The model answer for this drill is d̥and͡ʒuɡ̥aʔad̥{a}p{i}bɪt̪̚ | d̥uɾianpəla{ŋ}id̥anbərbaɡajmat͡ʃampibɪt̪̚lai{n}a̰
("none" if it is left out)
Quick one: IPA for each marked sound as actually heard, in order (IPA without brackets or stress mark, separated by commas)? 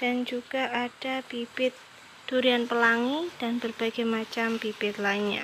a, i, ŋ, ɲ